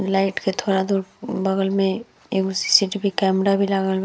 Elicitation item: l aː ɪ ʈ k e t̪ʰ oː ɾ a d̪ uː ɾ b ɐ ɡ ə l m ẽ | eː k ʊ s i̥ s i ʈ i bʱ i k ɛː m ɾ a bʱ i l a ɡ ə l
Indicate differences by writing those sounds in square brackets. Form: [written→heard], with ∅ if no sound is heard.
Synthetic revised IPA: l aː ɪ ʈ k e t̪ʰ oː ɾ a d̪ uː ɾ b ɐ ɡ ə l m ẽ | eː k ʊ s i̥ s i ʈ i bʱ i k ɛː m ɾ a bʱ i l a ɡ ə l